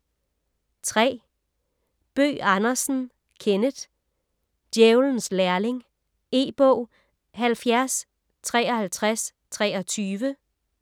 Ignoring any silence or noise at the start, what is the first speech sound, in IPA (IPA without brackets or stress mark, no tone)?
t͡sʰ